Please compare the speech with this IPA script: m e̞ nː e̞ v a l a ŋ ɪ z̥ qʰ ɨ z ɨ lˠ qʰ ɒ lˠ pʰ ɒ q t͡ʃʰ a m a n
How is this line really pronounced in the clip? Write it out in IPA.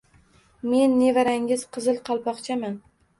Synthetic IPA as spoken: m e̞ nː e̞ v a ɾ a ŋ ɪ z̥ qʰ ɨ z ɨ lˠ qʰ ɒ lˠ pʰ ɒ q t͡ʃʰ a m a n